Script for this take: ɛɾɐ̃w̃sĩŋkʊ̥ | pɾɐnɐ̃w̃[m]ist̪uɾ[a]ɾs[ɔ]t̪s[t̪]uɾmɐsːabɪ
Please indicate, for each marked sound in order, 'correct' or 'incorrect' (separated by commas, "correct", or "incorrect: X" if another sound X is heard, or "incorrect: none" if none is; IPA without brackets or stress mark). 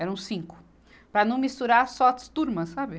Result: correct, correct, correct, correct